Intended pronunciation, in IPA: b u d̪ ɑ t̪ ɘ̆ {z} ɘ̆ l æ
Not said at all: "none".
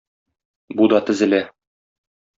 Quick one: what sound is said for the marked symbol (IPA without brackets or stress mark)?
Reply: z